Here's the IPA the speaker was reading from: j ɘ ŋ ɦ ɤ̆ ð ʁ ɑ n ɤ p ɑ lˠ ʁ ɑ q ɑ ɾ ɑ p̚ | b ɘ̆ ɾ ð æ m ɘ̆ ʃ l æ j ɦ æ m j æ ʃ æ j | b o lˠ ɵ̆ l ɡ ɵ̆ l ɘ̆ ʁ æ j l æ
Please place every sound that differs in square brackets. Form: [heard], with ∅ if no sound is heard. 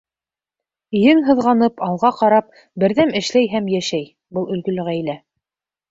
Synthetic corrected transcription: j ɘ ŋ ɦ ɤ̆ ð ʁ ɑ n ɤ p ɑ lˠ ʁ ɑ q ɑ ɾ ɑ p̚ | b ɘ̆ ɾ ð æ m ɘ̆ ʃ l æ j ɦ æ m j æ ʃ æ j | b [ɤ] lˠ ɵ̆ l ɡ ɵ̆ l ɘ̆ ʁ æ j l æ